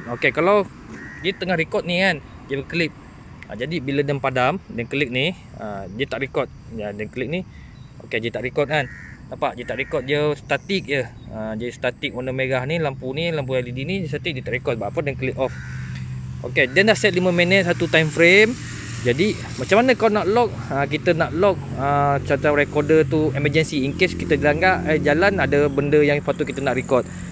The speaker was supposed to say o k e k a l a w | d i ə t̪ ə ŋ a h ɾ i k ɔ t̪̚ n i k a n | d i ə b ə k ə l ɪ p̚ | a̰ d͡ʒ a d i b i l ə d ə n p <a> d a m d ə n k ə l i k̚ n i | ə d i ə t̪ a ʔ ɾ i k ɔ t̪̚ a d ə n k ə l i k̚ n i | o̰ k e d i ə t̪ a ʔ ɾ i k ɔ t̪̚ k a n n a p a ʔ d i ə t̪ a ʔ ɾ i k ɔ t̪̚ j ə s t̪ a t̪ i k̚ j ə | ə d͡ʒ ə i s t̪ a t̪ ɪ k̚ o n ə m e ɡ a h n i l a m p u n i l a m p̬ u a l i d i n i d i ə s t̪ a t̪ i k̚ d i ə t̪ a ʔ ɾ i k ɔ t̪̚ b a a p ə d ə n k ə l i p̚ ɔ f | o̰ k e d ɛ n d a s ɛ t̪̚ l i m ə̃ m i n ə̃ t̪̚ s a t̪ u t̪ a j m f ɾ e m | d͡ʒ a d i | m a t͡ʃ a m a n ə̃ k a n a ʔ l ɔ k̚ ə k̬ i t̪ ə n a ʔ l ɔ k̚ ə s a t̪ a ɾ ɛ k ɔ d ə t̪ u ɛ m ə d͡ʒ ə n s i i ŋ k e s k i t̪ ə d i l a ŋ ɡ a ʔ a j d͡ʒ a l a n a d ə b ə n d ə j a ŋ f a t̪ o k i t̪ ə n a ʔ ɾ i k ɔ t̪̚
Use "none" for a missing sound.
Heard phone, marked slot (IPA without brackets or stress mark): a